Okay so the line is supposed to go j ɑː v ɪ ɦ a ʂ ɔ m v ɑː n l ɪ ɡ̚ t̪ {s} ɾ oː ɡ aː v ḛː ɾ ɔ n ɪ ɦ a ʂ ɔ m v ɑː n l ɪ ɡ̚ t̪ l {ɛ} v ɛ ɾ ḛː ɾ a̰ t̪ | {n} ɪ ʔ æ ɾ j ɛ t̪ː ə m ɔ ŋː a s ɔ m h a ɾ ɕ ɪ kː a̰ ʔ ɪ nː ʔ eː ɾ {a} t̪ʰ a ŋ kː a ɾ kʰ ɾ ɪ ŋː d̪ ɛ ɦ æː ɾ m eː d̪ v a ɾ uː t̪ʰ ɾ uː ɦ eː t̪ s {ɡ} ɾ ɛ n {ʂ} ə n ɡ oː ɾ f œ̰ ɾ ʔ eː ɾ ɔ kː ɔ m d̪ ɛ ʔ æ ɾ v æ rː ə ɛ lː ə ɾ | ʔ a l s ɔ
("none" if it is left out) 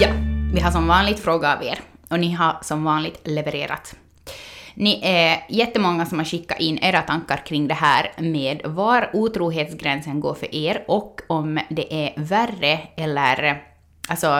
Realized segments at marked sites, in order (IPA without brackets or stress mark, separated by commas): f, ɛ, n, a, ɡ, s